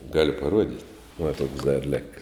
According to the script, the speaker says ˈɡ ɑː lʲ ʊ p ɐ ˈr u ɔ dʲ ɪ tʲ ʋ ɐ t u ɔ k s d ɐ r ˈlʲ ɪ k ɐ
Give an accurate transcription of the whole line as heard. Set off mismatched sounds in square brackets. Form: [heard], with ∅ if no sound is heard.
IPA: ˈɡ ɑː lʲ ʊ p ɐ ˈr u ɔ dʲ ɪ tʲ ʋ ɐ t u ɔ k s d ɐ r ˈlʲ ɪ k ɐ